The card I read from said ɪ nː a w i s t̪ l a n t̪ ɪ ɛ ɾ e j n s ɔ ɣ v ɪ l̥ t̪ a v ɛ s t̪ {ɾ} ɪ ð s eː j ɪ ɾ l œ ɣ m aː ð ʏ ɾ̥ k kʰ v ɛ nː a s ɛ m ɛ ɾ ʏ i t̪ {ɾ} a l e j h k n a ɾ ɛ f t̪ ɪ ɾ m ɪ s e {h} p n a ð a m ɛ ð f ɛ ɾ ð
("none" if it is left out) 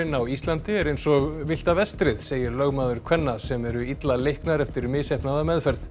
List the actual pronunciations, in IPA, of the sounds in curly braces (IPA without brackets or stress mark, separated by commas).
ɾ, l, h